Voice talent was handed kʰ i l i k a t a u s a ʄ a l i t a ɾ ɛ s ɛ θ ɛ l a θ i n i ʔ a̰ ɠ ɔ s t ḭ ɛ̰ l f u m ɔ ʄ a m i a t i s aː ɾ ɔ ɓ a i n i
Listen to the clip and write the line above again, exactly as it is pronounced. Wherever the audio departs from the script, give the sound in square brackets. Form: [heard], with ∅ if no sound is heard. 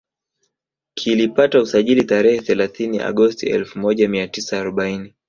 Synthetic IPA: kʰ i l i [p] a t a u s a ʄ [i] l i t a ɾ ɛ [h] ɛ θ ɛ l a θ i n i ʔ a̰ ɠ ɔ s t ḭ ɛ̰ l f u m ɔ ʄ a m i a t i s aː ɾ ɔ ɓ a i n i